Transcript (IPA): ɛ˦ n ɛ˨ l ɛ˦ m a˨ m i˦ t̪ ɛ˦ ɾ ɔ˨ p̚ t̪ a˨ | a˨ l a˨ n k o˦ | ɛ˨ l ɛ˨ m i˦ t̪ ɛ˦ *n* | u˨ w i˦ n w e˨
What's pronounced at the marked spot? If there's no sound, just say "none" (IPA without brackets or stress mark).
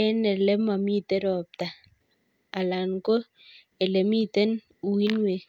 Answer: n